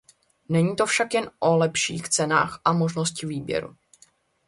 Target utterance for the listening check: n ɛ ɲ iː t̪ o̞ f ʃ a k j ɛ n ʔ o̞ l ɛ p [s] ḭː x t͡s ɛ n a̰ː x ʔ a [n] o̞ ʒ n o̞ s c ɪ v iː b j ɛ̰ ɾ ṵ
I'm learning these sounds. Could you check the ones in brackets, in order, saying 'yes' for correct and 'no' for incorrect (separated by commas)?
no, no